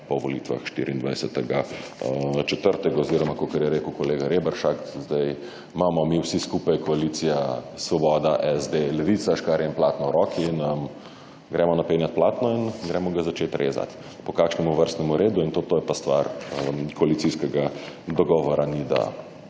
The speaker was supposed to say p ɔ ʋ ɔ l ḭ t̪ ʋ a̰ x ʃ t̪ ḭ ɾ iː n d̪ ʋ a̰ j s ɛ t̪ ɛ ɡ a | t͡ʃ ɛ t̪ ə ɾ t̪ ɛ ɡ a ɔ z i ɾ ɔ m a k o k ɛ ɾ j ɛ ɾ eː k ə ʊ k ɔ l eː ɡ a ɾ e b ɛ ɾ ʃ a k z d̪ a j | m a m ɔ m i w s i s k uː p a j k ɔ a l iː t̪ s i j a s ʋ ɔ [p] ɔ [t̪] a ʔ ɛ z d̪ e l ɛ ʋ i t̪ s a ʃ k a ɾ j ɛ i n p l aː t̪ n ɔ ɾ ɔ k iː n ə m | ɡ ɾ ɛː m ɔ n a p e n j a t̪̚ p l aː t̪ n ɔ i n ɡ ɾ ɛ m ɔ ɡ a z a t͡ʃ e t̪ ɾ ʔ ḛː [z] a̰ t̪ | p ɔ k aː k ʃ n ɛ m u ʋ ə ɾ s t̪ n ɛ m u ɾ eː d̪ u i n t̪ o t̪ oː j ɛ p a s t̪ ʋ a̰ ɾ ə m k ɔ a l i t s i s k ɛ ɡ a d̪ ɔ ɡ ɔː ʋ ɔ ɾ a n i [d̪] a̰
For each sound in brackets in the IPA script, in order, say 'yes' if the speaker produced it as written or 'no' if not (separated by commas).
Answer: no, no, yes, yes